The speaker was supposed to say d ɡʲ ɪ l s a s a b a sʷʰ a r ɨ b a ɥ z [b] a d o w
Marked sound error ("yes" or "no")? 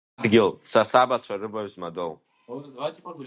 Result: yes